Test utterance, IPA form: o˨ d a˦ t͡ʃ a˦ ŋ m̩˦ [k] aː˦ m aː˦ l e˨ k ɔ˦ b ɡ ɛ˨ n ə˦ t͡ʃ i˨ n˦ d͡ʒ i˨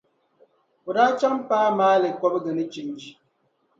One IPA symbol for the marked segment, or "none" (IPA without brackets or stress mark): p